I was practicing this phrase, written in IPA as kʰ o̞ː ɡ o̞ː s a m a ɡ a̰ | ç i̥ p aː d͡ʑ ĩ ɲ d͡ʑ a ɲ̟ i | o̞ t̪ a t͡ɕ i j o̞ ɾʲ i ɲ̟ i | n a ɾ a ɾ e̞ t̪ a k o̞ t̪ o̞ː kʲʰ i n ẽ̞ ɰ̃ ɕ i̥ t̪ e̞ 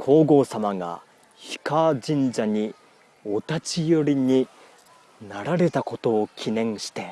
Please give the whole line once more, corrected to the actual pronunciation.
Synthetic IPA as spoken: kʰ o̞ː ɡ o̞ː s a m a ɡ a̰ | ç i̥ k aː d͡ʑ ĩ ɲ d͡ʑ a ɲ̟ i | o̞ t̪ a t͡ɕ i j o̞ ɾʲ i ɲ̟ i | n a ɾ a ɾ e̞ t̪ a k o̞ t̪ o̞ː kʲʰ i n ẽ̞ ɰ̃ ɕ i̥ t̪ e̞